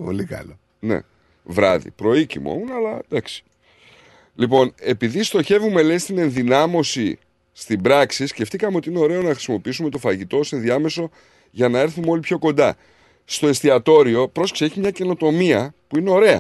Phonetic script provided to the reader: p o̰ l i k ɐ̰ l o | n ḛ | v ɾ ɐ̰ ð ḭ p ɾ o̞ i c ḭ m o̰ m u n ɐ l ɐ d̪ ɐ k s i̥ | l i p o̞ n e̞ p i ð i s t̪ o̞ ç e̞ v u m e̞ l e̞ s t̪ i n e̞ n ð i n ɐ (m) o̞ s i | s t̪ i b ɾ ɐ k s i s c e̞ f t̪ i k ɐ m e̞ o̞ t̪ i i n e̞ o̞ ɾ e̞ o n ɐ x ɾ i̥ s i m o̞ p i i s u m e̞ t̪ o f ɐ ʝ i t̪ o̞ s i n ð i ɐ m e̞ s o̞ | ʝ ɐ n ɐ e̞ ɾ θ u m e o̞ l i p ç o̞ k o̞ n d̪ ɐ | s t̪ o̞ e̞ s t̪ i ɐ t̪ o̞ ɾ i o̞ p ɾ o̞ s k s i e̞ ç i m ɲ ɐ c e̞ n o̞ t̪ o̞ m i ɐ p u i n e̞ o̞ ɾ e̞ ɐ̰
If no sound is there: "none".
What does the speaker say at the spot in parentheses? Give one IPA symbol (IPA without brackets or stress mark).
m